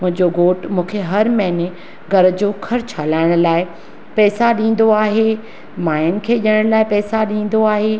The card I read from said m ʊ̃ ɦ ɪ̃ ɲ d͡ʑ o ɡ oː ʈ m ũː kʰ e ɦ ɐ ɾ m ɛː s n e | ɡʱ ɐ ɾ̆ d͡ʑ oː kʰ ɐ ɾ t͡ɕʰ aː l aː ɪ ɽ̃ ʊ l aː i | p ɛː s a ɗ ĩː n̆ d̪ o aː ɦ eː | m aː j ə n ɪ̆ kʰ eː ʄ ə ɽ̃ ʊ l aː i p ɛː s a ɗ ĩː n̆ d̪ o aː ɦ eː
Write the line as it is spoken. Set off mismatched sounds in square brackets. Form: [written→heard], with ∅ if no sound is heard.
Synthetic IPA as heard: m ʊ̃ ɦ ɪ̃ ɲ d͡ʑ o ɡ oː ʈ m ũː kʰ e ɦ ɐ ɾ m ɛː [s→∅] n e | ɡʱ ɐ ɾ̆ d͡ʑ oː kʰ ɐ ɾ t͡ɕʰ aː l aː ɪ ɽ̃ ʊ l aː [i→ɪ] | p ɛː s a ɗ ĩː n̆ d̪ o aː ɦ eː | m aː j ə n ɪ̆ kʰ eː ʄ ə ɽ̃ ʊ l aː [i→ɪ] p ɛː s a ɗ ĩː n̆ d̪ o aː ɦ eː